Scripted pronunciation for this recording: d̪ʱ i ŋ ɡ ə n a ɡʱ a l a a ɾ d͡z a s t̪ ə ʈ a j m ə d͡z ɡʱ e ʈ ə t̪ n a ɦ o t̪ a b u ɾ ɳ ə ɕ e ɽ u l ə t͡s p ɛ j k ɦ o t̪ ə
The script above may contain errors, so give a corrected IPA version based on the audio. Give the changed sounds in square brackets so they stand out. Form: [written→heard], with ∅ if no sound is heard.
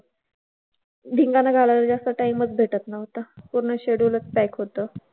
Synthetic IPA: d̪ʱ i ŋ ɡ [ə→a] n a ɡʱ a l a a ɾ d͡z a s t̪ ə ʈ a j m ə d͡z [ɡʱ→bʱ] e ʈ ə t̪ n a ɦ o t̪ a [b→p] u ɾ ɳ ə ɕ e ɽ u l ə t͡s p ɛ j k ɦ o t̪ ə